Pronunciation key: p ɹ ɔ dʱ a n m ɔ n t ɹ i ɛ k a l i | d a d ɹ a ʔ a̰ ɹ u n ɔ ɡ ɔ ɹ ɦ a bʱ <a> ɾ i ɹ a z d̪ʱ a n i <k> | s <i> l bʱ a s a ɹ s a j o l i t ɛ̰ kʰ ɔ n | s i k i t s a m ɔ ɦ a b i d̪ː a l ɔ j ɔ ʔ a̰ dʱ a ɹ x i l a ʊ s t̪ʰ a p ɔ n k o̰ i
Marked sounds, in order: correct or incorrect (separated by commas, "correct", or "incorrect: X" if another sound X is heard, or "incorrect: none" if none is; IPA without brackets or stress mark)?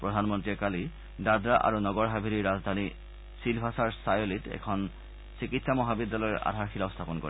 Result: incorrect: i, incorrect: none, correct